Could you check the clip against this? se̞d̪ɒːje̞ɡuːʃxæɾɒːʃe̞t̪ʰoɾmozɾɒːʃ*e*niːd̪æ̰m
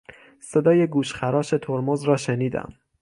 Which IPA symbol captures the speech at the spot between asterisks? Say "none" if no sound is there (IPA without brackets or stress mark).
e